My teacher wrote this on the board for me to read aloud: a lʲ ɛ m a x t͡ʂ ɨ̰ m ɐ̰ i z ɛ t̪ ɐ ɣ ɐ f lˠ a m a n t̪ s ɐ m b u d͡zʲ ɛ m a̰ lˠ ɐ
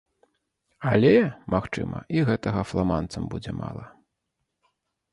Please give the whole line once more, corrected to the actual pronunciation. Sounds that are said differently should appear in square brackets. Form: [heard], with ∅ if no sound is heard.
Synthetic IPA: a lʲ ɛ m a x t͡ʂ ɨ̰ m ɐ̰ i [ɣ] ɛ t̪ ɐ ɣ ɐ f lˠ a m a n t̪ s ɐ m b u d͡zʲ ɛ m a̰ lˠ ɐ